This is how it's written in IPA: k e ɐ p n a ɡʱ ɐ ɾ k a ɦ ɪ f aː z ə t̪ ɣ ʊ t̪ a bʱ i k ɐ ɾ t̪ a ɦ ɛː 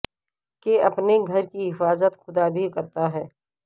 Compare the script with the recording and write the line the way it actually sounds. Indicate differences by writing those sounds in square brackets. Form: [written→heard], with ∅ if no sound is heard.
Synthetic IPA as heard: k e ɐ p n [a→e] ɡʱ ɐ ɾ k [a→i] ɦ ɪ f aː z ə t̪ [ɣ→x] ʊ [t̪→d̪] a bʱ i k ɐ ɾ t̪ a ɦ ɛː